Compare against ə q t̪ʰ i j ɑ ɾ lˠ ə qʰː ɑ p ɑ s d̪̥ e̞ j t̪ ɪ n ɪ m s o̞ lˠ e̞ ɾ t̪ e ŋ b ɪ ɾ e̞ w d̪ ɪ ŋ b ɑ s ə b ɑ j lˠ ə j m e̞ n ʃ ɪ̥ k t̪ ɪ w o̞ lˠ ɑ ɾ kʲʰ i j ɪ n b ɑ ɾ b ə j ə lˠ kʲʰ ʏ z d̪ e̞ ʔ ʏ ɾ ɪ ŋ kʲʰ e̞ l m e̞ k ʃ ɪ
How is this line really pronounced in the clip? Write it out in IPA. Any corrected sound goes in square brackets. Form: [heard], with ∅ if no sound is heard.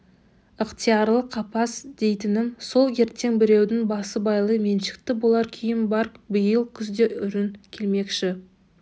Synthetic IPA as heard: ə q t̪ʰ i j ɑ ɾ lˠ ə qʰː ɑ p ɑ s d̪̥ e̞ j t̪ ɪ n ɪ m s o̞ lˠ e̞ ɾ t̪ e ŋ b ɪ ɾ e̞ w d̪ ɪ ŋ b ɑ s ə b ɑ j lˠ ə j m e̞ n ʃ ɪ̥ k t̪ ɪ [b] o̞ lˠ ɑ ɾ kʲʰ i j ɪ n b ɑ ɾ b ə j ə lˠ kʲʰ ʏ z d̪ e̞ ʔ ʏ ɾ ɪ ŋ kʲʰ e̞ l m e̞ k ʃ ɪ

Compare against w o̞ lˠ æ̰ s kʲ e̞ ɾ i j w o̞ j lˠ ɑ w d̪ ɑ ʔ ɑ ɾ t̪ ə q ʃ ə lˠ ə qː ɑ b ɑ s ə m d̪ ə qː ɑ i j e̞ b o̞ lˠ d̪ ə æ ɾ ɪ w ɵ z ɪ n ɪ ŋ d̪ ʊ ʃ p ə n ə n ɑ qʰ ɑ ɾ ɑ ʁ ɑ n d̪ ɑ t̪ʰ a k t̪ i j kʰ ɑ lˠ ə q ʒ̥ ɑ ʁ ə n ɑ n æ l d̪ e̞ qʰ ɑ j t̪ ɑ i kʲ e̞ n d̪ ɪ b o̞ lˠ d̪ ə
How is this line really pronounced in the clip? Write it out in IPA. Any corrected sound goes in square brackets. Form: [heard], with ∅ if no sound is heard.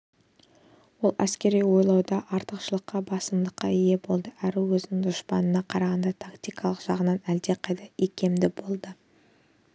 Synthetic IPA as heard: w o̞ lˠ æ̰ s kʲ e̞ ɾ i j w o̞ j lˠ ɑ w d̪ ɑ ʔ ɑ ɾ t̪ ə q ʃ ə lˠ ə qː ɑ b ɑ s ə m d̪ ə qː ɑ i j e̞ b o̞ lˠ d̪ ə æ ɾ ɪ w ɵ z ɪ n ɪ ŋ d̪ ʊ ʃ p [ɑ] n ə n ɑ qʰ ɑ ɾ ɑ ʁ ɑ n d̪ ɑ t̪ʰ a k t̪ i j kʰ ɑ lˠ ə q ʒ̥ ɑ ʁ ə n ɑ n æ l d̪ e̞ qʰ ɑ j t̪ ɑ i kʲ e̞ [m] d̪ ɪ b o̞ lˠ d̪ ə

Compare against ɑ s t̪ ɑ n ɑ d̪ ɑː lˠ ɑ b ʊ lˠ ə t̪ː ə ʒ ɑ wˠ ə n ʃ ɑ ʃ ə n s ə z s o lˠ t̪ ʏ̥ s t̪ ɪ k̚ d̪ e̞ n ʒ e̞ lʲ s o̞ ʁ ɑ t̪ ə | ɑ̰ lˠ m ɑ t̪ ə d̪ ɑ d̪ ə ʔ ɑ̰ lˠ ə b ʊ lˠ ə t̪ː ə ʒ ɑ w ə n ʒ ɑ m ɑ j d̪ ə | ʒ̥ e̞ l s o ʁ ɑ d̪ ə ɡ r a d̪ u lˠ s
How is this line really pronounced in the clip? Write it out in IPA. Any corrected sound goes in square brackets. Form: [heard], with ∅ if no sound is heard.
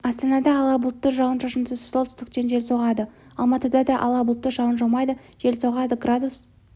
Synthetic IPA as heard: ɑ s t̪ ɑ n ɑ d̪ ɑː lˠ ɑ b ʊ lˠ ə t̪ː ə ʒ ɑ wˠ ə n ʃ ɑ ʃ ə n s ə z s o lˠ t̪ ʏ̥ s t̪ ɪ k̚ [t̪] e̞ n ʒ e̞ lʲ s o̞ ʁ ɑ [d̪] ə | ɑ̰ lˠ m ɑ t̪ ə d̪ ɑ d̪ [ɑ] ʔ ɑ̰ lˠ [ɑ] b ʊ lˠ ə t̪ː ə ʒ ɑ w ə n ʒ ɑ m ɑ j d̪ ə | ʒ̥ e̞ l s o ʁ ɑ d̪ ə ɡ r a d̪ u [∅] s

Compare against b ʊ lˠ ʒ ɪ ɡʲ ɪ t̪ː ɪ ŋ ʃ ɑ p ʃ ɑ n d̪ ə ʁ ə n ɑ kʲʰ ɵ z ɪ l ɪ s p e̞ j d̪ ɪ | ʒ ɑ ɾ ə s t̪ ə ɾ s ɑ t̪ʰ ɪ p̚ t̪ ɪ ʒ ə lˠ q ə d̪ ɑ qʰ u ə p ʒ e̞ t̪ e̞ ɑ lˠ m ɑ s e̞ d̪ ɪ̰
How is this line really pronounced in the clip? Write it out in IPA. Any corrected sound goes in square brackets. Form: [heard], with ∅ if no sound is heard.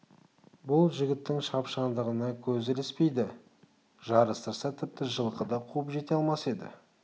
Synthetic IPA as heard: b ʊ lˠ ʒ ɪ ɡʲ ɪ t̪ː ɪ ŋ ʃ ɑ p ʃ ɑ n d̪ ə ʁ ə n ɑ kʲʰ ɵ z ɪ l ɪ s p e̞ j d̪ ɪ | ʒ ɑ ɾ ə s t̪ ə ɾ s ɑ t̪ʰ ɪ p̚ t̪ ɪ ʒ ə lˠ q ə d̪ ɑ qʰ u ə p ʒ e̞ t̪ e̞ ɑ lˠ m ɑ s e̞ d̪ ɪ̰

